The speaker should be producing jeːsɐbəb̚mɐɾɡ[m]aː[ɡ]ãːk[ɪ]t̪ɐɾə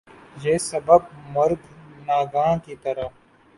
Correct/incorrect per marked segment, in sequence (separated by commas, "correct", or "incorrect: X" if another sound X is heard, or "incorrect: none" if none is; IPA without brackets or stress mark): incorrect: n, correct, incorrect: i